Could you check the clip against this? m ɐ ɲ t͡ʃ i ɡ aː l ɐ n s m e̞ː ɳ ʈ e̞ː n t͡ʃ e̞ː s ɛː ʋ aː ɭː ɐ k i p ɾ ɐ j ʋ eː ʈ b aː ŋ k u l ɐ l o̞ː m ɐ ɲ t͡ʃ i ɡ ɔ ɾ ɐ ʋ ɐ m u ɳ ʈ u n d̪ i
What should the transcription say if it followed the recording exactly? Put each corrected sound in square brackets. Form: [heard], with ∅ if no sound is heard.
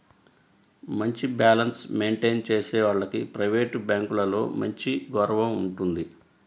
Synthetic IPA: m ɐ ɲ t͡ʃ i [b] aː l ɐ n s m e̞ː ɳ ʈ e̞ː n t͡ʃ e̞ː s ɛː ʋ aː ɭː ɐ k i p ɾ ɐ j ʋ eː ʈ b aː ŋ k u l ɐ l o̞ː m ɐ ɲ t͡ʃ i ɡ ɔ ɾ ɐ ʋ ɐ m u ɳ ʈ u n d̪ i